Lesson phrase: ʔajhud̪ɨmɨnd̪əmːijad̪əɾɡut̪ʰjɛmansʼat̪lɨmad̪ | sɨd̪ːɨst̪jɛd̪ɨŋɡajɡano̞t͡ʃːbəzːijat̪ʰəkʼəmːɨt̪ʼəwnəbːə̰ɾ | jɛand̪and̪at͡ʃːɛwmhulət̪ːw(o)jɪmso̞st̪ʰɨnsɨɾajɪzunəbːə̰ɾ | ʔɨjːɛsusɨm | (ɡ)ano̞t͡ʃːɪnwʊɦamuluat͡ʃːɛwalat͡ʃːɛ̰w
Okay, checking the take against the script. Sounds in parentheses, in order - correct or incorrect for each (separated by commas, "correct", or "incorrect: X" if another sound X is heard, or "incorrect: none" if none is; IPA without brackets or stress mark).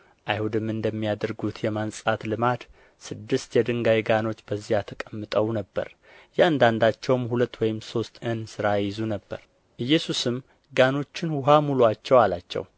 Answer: incorrect: ɔ, correct